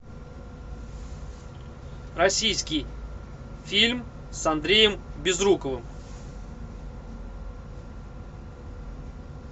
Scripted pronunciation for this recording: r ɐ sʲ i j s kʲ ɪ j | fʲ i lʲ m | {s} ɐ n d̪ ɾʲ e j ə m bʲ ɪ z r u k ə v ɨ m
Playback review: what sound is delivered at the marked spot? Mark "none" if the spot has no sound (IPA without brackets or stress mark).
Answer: s